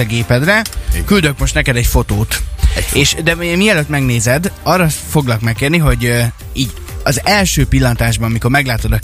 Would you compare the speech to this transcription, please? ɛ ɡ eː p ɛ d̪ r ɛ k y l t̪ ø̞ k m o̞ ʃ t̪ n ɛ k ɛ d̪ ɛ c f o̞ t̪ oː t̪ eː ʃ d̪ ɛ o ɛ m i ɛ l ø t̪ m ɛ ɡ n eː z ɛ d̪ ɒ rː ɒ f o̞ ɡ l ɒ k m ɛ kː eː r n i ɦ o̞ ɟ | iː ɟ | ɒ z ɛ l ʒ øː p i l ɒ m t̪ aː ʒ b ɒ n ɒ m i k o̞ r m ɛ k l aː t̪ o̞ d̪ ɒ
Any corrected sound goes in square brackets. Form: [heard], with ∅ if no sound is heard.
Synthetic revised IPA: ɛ ɡ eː p ɛ d̪ r ɛ k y l [d̪] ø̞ k m o̞ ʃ t̪ n ɛ k ɛ d̪ ɛ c f o̞ t̪ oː t̪ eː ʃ d̪ ɛ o ɛ m i ɛ l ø t̪ m ɛ ɡ n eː z ɛ d̪ ɒ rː ɒ f o̞ ɡ l ɒ k m ɛ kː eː r n i ɦ o̞ ɟ | iː ɟ | ɒ z ɛ l [ʃ] øː p i [lː] ɒ [n] t̪ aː ʒ b ɒ n ɒ m i k o̞ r m ɛ [ɡ] l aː t̪ o̞ d̪ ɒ